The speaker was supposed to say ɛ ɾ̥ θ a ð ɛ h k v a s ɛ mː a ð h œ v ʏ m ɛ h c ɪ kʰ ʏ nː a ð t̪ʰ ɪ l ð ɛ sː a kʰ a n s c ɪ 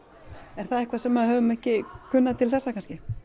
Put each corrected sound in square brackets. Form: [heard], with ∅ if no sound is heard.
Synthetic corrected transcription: ɛ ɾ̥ θ a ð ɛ h k v a s ɛ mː a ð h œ v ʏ m ɛ h c ɪ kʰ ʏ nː a ð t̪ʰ ɪ l [θ] ɛ sː a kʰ a n s c ɪ